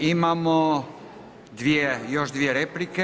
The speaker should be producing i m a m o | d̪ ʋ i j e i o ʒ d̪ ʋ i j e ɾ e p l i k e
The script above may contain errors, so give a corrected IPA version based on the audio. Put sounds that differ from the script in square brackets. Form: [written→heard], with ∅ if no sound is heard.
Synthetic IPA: i m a m o | d̪ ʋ i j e [i→j] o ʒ d̪ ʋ i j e ɾ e p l i k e